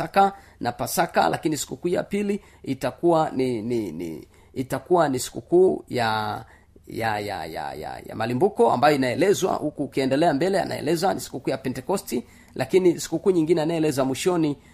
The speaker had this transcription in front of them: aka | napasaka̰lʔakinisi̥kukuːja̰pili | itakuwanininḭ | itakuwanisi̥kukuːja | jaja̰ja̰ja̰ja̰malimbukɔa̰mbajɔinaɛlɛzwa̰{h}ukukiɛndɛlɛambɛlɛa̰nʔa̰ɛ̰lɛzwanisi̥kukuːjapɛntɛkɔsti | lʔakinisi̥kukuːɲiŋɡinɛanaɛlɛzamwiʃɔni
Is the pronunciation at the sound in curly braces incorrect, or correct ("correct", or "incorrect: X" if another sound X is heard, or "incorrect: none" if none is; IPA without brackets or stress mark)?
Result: correct